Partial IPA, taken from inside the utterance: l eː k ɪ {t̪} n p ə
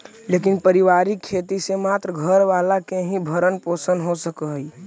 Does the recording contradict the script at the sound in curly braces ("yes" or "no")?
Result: yes